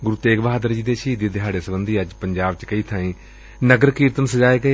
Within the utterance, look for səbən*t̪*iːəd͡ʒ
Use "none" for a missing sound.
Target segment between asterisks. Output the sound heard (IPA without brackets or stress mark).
d̪